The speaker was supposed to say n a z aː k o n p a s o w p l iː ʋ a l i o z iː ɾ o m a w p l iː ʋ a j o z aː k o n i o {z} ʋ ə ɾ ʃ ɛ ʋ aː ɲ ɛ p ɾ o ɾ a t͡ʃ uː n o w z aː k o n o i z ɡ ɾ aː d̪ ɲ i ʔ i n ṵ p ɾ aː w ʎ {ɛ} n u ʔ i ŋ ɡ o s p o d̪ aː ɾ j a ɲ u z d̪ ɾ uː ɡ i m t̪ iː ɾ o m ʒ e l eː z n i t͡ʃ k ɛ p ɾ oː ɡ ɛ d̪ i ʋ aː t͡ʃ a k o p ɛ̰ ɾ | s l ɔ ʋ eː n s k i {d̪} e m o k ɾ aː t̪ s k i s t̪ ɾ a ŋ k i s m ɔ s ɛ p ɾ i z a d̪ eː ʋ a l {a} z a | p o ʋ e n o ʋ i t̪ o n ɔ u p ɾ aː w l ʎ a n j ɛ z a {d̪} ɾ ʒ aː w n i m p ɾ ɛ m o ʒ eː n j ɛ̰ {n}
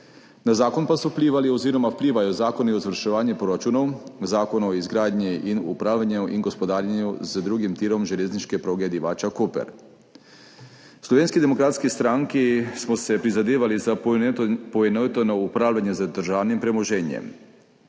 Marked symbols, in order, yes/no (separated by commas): yes, no, yes, no, yes, no